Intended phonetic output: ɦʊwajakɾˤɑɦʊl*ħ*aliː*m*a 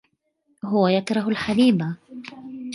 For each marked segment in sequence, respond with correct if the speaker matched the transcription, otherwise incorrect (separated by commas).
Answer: correct, incorrect